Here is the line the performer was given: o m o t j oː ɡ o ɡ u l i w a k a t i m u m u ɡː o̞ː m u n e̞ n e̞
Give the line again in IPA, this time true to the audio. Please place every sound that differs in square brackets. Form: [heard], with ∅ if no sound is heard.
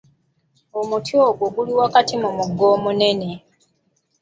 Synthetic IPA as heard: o m [u] t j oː ɡ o ɡ u l i w a k a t i m u m u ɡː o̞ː m u n e̞ n e̞